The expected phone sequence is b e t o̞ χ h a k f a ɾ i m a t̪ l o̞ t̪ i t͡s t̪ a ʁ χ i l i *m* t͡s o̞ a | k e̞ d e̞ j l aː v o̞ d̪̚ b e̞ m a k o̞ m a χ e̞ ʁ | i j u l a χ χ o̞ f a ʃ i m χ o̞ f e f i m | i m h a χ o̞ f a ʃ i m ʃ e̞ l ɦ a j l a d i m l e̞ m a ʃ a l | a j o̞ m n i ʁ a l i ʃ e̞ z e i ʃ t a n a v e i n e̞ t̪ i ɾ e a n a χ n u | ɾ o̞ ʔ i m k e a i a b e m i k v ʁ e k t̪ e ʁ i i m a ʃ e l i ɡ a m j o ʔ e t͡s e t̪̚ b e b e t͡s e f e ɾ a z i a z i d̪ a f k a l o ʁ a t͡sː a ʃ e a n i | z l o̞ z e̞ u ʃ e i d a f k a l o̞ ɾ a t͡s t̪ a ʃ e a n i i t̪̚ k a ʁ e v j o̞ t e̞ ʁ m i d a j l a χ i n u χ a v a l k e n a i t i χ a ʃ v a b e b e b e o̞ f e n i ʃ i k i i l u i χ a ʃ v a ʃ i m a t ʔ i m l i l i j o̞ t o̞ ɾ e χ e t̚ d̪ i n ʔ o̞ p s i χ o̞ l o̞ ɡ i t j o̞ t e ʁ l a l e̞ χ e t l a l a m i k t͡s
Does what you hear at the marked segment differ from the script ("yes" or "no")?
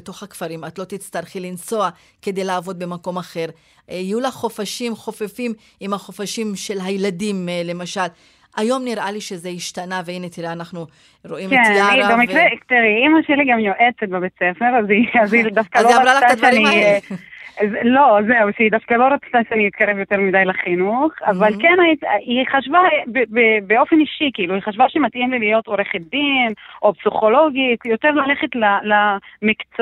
yes